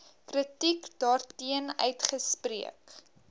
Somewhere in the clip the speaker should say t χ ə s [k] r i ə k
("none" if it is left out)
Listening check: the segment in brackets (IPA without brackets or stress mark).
p